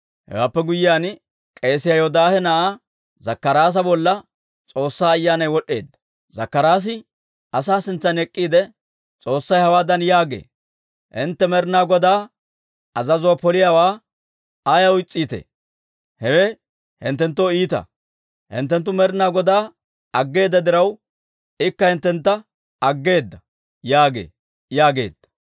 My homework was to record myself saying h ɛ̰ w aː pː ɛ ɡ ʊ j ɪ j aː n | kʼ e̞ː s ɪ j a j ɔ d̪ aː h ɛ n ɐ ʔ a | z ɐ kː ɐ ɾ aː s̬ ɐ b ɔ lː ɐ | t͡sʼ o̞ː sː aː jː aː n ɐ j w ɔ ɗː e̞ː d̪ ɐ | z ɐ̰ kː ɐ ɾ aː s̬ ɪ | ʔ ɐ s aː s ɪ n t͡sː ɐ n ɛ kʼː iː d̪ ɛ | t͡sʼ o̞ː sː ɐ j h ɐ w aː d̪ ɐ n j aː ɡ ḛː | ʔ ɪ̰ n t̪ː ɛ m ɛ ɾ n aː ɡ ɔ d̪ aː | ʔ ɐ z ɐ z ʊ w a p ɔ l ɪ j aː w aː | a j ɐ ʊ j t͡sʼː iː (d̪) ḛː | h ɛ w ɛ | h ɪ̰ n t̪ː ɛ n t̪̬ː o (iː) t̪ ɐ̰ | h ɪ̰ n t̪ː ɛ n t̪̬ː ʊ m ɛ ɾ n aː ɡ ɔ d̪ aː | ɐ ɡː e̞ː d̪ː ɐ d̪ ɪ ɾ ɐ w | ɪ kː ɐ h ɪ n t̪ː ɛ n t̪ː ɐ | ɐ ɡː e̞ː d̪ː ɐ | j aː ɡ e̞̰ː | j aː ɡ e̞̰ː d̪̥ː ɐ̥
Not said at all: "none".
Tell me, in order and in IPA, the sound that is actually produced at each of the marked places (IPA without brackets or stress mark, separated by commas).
t̪, iː